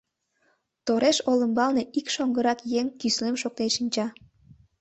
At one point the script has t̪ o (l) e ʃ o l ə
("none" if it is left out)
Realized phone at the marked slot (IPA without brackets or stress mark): ɾ